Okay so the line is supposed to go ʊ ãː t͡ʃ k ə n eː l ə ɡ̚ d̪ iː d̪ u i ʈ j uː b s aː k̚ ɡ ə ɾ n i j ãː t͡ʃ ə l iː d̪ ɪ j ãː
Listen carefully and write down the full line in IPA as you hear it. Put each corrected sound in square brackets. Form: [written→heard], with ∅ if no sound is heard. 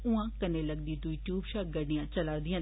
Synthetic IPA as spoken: ʊ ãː [t͡ʃ→∅] k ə n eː l ə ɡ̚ d̪ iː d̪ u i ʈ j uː b [s→ʃ] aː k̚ ɡ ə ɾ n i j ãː t͡ʃ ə l [iː→aː] d̪ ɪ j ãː